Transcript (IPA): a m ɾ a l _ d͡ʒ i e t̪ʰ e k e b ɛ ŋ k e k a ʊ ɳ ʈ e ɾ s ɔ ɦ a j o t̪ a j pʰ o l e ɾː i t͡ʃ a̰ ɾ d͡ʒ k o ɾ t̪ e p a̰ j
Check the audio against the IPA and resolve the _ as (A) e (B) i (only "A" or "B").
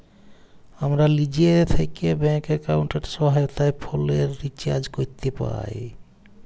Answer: B